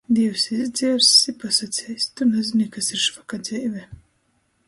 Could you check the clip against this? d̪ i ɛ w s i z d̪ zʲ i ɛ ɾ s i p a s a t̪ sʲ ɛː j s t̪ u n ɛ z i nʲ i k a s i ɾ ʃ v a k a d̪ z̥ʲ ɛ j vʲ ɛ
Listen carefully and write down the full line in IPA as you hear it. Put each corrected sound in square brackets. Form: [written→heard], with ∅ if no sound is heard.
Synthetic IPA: d̪ i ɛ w s i z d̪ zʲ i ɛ ɾ s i p a s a t̪ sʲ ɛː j s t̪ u n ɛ z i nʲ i k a s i ɾ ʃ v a k a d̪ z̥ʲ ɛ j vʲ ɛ